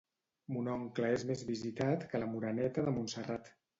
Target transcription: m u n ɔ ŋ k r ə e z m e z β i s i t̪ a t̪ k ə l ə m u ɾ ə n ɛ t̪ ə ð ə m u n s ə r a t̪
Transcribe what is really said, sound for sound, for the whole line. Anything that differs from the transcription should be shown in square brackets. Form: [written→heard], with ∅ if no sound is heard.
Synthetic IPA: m u n ɔ ŋ k [r→l] ə e z m e z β i [s→z] i t̪ a t̪ k ə l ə m u ɾ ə n ɛ t̪ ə ð ə m u n s ə r a t̪